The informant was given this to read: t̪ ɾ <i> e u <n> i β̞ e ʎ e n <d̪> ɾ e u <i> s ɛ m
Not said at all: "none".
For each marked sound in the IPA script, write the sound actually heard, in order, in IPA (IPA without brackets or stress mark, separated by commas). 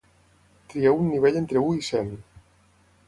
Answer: i, nː, t̪, i